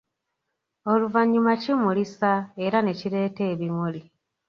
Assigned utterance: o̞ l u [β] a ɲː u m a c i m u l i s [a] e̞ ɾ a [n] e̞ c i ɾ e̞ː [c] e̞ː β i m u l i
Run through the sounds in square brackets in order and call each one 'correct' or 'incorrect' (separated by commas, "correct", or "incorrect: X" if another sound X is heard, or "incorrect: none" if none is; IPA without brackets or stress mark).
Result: incorrect: v, correct, correct, incorrect: t